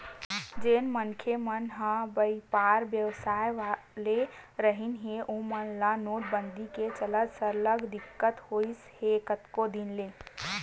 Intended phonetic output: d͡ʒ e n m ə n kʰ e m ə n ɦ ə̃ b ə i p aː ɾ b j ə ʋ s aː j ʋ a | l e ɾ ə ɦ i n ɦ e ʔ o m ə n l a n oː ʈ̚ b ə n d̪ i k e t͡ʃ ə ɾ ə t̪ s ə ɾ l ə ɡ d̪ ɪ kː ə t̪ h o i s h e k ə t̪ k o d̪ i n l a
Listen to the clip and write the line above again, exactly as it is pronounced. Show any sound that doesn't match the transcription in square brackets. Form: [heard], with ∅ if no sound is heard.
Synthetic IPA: d͡ʒ e n m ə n kʰ e m ə n ɦ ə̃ b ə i p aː ɾ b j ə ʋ s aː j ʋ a | l e ɾ ə ɦ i n ɦ e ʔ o m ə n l a n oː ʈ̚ b ə n d̪ i k e t͡ʃ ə [l] ə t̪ s ə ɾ l ə ɡ d̪ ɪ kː ə t̪ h o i s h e k ə t̪ k o d̪ i n l [e]